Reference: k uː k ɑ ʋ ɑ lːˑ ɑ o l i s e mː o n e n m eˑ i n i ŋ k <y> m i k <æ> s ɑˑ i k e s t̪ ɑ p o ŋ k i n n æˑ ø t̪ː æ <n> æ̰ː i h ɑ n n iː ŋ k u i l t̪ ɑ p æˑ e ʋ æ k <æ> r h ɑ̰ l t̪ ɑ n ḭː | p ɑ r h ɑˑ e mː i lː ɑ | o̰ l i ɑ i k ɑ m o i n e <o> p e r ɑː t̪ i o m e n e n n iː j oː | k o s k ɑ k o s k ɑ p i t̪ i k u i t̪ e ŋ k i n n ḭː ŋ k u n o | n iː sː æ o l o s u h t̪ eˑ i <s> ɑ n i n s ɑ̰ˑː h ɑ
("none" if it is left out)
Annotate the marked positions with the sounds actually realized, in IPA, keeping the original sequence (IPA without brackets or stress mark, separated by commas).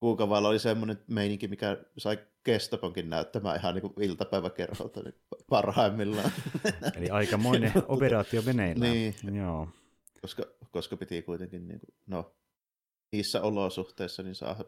i, æ, m, e, o, sː